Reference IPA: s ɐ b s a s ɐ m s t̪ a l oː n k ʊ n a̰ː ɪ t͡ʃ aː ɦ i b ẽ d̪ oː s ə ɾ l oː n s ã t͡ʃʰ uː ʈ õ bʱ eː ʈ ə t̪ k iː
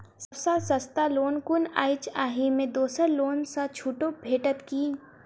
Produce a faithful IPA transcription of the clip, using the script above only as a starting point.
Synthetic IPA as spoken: s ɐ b s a s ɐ s t̪ a l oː n k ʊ n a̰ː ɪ t͡ʃ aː ɦ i m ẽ d̪ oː s ə ɾ l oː n s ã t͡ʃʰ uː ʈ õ bʱ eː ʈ ə t̪ k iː